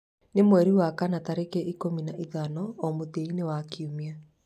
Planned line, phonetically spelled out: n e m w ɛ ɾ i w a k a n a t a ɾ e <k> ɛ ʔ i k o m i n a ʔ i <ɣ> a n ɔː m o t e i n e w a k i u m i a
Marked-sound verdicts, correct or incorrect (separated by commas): correct, incorrect